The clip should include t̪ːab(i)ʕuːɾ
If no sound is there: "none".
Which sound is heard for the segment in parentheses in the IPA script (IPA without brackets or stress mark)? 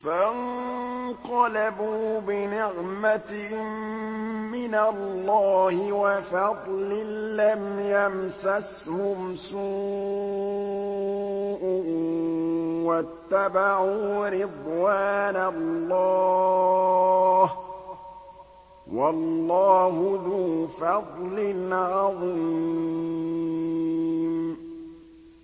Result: a